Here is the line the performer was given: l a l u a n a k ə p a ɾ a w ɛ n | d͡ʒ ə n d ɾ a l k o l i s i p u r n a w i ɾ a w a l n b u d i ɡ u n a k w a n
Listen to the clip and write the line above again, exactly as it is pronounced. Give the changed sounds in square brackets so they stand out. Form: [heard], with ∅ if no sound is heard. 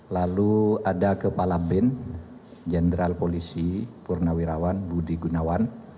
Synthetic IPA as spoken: l a l u a [d] a k ə p a [l] a [b] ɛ n | d͡ʒ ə n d ɾ a l [p] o l i s i p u r n a w i ɾ a w a [∅] n b u d i ɡ u n a [∅] w a n